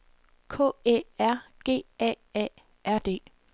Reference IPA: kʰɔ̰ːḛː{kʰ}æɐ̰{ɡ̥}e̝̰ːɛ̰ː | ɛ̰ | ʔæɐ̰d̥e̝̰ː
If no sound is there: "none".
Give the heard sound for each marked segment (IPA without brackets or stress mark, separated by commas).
none, ɡ̥